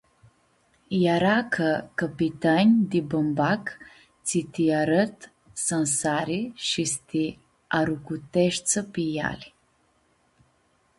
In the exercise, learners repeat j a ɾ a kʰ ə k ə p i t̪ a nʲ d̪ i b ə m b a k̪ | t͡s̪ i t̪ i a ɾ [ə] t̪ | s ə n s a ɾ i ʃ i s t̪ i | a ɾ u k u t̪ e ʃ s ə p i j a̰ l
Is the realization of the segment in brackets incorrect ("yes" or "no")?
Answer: no